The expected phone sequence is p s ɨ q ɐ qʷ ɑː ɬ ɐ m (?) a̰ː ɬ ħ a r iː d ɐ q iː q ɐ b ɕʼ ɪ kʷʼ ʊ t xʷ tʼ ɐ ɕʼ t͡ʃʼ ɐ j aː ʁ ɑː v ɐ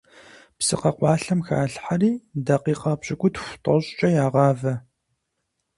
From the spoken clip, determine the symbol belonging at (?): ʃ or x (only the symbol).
x